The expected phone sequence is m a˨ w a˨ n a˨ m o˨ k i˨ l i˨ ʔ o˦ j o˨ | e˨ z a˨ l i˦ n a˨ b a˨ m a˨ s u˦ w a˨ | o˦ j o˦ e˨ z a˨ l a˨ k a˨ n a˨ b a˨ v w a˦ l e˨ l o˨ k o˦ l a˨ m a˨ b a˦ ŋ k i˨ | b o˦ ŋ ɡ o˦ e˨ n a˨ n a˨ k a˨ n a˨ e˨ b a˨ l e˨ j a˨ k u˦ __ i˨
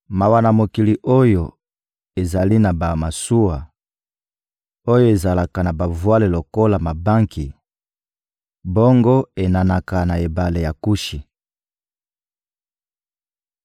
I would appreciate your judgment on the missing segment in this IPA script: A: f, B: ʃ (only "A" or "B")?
B